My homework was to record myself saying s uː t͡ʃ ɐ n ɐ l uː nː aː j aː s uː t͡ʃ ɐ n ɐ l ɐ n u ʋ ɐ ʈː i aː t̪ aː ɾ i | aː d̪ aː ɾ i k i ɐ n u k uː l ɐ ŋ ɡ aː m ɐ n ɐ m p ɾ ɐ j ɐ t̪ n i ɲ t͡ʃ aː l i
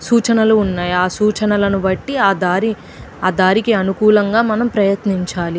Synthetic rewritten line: s uː t͡ʃ ɐ n ɐ l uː nː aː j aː s uː t͡ʃ ɐ n ɐ l ɐ n u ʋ ɐ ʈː i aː d̪ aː ɾ i | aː d̪ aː ɾ i k i ɐ n u k uː l ɐ ŋ ɡ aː m ɐ n ɐ m p ɾ ɐ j ɐ t̪ n i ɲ t͡ʃ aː l i